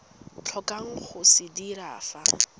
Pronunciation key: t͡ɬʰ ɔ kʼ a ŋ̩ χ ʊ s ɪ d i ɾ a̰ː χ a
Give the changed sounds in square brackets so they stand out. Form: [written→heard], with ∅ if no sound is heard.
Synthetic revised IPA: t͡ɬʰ ɔ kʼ a ŋ̩ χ ʊ s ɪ d i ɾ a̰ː [χ→f] a